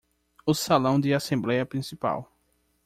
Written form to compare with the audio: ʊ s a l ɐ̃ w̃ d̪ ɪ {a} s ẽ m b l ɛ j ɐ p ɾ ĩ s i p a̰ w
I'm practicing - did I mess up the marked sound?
no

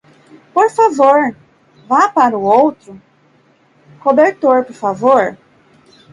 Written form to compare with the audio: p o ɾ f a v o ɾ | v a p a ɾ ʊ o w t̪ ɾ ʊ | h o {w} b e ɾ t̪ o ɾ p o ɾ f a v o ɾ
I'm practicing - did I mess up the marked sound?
yes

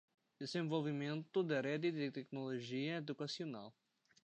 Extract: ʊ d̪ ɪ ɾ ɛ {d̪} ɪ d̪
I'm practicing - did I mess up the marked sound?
no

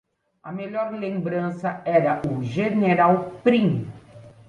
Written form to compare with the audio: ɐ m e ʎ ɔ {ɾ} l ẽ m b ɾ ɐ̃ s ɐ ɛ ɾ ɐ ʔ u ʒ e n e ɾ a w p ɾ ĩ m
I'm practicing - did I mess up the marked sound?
no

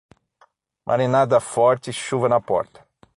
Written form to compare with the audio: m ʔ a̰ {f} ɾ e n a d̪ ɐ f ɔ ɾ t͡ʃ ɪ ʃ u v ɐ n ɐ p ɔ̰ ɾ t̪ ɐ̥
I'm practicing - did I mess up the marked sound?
yes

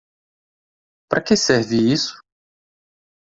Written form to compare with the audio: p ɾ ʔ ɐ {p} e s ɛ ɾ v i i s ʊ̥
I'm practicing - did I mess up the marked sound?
yes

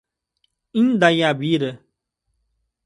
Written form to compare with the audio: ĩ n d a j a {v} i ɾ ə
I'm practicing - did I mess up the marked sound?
yes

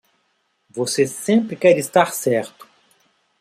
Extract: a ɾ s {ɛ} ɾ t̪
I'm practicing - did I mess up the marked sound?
no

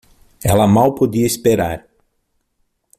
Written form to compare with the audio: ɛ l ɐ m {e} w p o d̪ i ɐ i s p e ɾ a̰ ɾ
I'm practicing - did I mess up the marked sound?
yes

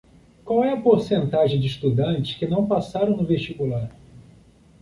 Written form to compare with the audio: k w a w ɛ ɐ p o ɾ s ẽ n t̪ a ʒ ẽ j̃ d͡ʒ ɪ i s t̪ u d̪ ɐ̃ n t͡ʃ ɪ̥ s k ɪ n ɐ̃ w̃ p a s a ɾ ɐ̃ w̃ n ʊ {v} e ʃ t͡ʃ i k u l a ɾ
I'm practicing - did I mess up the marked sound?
no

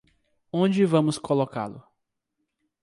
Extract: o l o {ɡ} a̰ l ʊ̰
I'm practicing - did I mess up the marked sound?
yes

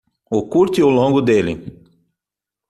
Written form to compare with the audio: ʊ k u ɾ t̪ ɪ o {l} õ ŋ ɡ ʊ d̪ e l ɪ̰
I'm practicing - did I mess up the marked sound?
no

